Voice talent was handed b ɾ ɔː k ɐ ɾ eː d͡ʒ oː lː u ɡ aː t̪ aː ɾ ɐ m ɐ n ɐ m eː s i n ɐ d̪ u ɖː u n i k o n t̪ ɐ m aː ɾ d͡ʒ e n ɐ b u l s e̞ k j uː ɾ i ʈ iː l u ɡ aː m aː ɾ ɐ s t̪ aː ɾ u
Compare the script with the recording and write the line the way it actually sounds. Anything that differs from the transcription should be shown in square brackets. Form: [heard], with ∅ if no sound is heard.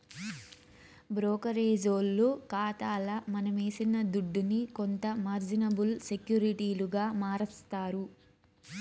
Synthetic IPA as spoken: b ɾ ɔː k ɐ ɾ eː d͡ʒ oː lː u [k] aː t̪ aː [l] ɐ m ɐ n ɐ m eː s i n ɐ d̪ u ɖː u n i k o n t̪ ɐ m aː ɾ d͡ʒ [i] n ɐ b u l s e̞ k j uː ɾ i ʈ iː l u ɡ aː m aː ɾ ɐ s t̪ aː ɾ u